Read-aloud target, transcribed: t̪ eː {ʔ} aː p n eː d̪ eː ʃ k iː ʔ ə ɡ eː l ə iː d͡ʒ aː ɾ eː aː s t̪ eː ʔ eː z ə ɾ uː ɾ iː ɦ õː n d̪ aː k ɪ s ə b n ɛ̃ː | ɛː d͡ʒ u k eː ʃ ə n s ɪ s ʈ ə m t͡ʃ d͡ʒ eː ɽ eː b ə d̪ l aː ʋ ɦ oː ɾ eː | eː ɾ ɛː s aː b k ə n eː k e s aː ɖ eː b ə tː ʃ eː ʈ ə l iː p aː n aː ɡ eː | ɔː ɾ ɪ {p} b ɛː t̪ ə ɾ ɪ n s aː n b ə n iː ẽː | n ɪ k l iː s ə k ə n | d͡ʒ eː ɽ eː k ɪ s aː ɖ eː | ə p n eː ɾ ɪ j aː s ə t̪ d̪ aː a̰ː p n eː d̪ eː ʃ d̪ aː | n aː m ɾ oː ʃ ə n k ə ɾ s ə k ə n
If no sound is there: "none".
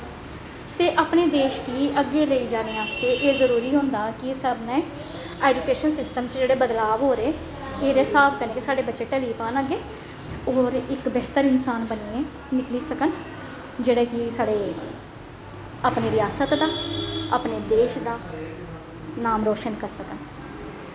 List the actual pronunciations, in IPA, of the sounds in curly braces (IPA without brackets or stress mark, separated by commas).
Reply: ʔ, k